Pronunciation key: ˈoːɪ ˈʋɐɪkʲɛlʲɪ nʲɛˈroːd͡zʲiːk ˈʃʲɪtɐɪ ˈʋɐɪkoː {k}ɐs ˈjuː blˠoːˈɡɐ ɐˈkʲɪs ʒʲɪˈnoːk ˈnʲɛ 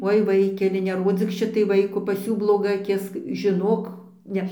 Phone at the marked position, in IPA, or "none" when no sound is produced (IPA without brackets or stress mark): p